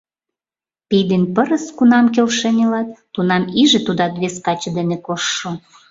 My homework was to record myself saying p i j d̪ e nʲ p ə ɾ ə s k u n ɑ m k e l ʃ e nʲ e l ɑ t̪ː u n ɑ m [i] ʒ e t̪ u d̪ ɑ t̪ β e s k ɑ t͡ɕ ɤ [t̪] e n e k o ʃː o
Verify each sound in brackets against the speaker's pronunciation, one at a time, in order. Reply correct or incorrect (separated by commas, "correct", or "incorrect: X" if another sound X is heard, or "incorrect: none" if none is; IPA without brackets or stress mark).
correct, incorrect: d̪